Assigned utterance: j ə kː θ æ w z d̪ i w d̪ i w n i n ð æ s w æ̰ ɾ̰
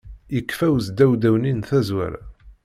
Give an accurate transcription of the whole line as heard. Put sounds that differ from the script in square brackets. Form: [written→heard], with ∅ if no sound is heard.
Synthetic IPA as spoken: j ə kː [θ→f] æ w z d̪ [i→æ] w d̪ [i→æ] w n i n [ð→θ] æ [s→z] w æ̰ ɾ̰